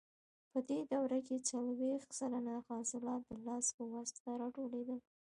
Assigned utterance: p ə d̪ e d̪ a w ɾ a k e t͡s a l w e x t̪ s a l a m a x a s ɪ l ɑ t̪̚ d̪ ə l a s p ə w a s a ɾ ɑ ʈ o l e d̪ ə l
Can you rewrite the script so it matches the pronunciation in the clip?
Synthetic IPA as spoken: p ə d̪ e d̪ a w ɾ a k e t͡s a l w e x t̪ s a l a n a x ɑ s ɪ l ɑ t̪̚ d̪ ə l ɑ s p ə w a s a ɾ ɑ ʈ o l e d̪ ə l

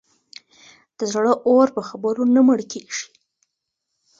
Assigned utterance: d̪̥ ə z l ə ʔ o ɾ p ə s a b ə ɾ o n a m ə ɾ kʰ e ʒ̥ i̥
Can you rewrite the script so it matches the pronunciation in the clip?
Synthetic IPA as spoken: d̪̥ ə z ɽ ə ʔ o ɾ p ə x a b ə ɾ o n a m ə ɽ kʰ e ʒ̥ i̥

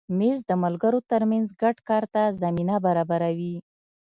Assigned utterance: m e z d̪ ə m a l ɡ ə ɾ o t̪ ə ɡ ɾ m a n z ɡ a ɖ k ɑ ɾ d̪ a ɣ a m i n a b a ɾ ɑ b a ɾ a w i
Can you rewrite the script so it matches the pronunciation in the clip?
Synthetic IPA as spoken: m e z d̪ ə m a l ɡ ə ɾ o t̪ ə ɾ m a n z ɡ a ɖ k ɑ ɾ t̪ a z a m i n a b a ɾ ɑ b a ɾ a w i

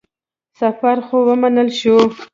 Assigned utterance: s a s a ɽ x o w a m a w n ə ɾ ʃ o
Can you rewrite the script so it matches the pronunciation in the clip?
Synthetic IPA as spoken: s a f a ɾ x o w ə m a n ə l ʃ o

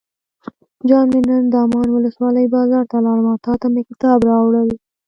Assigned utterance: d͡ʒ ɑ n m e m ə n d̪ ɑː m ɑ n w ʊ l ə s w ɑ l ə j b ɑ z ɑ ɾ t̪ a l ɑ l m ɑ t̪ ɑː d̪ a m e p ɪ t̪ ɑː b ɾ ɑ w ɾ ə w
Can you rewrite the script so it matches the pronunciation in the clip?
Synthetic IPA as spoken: d͡ʒ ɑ n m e n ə n d̪ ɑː m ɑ n w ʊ l ə s w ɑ l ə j b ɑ z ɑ ɾ t̪ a l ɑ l m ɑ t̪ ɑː t̪ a m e k ɪ t̪ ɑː b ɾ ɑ w ɽ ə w

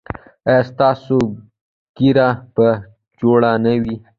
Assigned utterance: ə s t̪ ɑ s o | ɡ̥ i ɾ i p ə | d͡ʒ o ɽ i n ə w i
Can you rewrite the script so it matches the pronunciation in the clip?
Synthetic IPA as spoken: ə s t̪ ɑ s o | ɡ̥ i ɾ a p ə | d͡ʒ o ɽ a n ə w i

